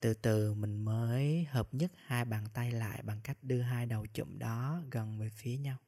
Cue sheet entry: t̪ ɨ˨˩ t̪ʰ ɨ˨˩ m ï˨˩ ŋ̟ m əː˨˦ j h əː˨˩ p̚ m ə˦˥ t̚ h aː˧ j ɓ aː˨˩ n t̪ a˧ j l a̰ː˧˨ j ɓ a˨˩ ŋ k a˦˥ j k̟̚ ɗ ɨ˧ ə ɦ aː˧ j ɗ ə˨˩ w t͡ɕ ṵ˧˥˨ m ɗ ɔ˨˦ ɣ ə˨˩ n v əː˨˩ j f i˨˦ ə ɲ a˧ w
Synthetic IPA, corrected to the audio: t̪ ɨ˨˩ t̪ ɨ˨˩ m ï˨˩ ŋ̟ m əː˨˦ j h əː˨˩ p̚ ɲ ə˦˥ t̚ h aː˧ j ɓ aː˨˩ n t̪ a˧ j l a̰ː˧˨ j ɓ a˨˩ ŋ k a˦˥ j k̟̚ ɗ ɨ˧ ə ɦ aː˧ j ɗ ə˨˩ w t͡ɕ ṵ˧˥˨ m ɗ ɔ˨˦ ɣ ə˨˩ n v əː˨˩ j f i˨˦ ə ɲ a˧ w